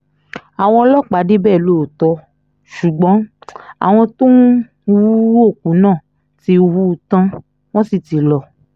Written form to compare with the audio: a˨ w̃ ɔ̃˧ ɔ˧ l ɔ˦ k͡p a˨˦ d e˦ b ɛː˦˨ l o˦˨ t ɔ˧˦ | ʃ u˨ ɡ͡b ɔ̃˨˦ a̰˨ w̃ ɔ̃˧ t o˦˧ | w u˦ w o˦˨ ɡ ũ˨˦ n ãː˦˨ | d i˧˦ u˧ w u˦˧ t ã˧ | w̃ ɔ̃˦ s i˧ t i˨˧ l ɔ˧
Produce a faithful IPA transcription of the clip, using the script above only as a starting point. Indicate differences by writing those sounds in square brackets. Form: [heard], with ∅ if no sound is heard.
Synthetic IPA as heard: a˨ w̃ ɔ̃˧ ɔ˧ l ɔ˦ k͡p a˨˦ d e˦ b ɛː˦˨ l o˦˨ t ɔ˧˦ | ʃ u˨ ɡ͡b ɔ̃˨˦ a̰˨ w̃ ɔ̃˧ t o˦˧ | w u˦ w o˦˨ [k] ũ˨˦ n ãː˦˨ | [t] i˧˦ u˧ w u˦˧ t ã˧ | w̃ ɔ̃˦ s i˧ t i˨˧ l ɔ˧